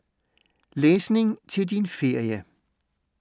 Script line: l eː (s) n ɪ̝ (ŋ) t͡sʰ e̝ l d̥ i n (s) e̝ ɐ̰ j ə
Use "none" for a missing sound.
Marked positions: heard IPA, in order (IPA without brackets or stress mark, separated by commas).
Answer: s, ŋ, f